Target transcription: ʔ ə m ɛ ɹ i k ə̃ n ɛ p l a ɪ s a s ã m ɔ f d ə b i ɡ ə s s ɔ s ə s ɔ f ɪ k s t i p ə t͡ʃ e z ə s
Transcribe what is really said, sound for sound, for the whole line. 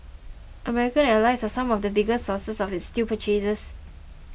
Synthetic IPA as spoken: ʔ ə m ɛ ɹ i k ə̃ n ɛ l a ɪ s a s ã m ɔ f d ə b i ɡ ə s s ɔ s ə s ɔ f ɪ t s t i p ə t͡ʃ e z ə s

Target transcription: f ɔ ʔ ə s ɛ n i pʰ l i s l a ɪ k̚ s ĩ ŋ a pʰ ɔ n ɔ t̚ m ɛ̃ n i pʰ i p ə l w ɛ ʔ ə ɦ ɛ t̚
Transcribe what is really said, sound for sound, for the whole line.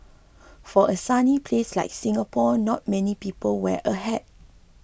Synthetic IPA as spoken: f ɔ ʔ ə s a n i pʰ l e s l a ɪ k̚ s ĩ ŋ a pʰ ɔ n ɔ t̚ m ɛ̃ n i p i p ə l w ɛ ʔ ə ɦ ɛ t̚

